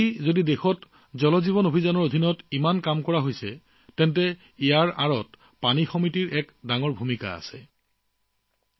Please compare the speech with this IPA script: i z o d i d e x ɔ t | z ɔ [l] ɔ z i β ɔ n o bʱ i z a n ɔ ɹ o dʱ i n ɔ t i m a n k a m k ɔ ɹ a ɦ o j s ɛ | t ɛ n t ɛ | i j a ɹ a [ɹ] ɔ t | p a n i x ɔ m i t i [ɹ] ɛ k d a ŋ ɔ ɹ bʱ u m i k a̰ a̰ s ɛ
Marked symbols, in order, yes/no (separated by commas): yes, yes, yes